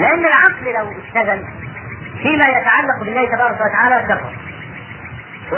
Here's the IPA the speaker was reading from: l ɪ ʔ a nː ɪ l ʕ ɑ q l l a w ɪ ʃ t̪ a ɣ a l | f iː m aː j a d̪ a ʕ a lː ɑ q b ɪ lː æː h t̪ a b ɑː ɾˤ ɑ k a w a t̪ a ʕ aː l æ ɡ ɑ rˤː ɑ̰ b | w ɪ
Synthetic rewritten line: l ɪ ʔ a nː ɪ l ʕ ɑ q l l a w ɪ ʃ t̪ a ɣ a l | f iː m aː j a t̪ a ʕ a lː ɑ q b ɪ lː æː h t̪ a b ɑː ɾˤ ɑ k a w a t̪ a ʕ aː l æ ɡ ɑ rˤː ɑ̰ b | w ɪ